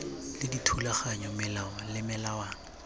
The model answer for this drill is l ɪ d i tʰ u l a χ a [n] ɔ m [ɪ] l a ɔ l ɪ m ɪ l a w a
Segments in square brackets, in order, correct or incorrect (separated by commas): incorrect, correct